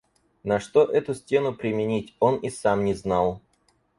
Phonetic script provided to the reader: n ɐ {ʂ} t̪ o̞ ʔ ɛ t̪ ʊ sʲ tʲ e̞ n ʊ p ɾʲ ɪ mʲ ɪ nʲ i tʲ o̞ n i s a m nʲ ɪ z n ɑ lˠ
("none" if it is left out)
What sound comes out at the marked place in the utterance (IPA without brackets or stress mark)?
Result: ʂ